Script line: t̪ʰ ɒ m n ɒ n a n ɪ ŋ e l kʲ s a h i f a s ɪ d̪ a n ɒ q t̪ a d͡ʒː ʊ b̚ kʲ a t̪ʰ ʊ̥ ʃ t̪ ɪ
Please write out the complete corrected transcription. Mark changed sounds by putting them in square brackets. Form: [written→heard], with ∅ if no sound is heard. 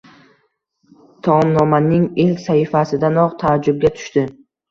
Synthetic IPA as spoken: t̪ʰ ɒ m n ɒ [n→m] a n ɪ ŋ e l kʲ s a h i f a s ɪ d̪ a n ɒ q [t̪→t̪ʰ] a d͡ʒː ʊ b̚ [kʲ→ɡʲ] a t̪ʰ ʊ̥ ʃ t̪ ɪ

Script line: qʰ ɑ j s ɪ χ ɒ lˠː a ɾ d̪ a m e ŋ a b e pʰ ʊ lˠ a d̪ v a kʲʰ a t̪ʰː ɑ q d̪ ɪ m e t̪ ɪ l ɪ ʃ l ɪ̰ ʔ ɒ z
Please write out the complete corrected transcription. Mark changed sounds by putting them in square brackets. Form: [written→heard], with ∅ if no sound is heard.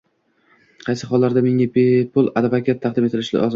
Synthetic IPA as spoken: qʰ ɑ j s ɪ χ ɒ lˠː a ɾ d̪ a m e ŋ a b e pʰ ʊ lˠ a d̪ v a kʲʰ a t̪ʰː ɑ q d̪ ɪ m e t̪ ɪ l ɪ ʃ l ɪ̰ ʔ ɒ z

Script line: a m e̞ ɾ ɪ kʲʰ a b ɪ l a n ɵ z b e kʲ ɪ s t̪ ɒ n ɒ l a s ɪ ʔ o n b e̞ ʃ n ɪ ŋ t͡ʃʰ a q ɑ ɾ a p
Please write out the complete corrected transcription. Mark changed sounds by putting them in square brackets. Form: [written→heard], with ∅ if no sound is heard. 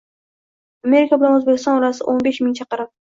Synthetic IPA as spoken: a m e̞ ɾ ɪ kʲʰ a b ɪ l a n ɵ z b e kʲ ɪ s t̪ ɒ n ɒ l a s ɪ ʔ o n b e̞ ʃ [n→m] ɪ ŋ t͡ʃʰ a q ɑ ɾ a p

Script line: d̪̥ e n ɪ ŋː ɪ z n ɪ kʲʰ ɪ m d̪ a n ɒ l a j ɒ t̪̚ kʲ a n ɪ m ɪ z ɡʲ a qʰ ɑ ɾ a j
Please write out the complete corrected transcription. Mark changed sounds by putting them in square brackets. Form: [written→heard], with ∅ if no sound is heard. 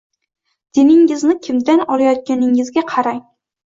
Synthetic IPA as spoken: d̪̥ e n ɪ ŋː ɪ z n ɪ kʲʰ ɪ m d̪ a n ɒ l a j ɒ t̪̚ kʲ a n ɪ [m→ŋ] ɪ z ɡʲ a qʰ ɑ ɾ a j

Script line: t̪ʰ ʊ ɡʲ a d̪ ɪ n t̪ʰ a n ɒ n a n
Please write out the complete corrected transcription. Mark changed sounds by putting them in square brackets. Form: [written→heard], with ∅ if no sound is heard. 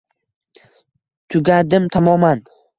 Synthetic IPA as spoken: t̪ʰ ʊ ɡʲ a d̪ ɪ [n→m] t̪ʰ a [n→m] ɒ [n→m] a n

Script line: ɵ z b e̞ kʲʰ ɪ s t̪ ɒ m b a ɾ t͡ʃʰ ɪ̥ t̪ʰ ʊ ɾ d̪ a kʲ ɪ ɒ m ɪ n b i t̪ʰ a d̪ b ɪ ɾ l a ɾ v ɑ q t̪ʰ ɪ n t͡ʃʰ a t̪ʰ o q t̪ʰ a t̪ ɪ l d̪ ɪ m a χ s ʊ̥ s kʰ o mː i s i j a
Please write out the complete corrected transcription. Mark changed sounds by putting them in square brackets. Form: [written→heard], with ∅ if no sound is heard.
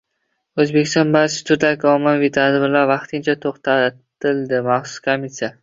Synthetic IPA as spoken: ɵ z b e̞ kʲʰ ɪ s t̪ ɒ [m→n] b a ɾ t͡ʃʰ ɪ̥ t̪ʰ ʊ ɾ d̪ a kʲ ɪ ɒ m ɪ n [b→v] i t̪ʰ a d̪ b ɪ ɾ l a ɾ v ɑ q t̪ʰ ɪ n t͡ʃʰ a t̪ʰ o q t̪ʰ a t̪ ɪ l d̪ ɪ m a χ s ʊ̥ s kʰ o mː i s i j a

